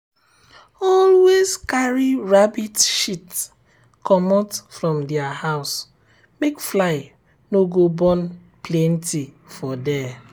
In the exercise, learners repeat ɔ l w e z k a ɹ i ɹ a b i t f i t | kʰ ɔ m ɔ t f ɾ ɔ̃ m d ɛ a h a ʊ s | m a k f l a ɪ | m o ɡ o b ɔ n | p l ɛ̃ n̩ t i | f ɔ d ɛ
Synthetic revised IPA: ɔ l w e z k a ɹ i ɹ a b i t ʃ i t | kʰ ɔ m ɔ t f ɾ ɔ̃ m d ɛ a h a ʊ s | m e k f l a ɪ | n o ɡ o b ɔ n | p l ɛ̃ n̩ t i | f ɔ d ɛ